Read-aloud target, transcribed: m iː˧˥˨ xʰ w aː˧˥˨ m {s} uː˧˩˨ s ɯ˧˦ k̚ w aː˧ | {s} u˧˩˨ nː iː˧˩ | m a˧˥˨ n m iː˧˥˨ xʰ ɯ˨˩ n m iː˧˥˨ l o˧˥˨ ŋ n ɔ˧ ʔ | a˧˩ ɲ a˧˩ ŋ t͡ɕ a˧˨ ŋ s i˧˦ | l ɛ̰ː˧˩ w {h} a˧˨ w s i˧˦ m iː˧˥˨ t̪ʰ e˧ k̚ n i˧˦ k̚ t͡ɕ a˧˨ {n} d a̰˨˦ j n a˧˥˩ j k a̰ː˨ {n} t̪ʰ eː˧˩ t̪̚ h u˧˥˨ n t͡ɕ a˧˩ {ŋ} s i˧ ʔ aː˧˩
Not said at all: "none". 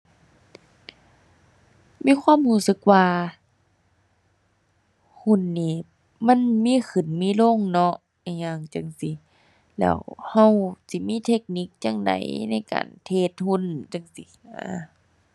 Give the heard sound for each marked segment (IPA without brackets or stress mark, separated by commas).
h, h, h, ŋ, n, ŋ